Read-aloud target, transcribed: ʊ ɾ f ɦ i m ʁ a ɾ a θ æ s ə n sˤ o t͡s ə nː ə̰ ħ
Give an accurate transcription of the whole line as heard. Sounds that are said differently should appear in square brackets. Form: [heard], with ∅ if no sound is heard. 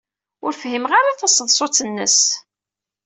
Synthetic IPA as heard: ʊ ɾ f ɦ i m ʁ a ɾ a θ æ s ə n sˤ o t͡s ə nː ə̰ [s]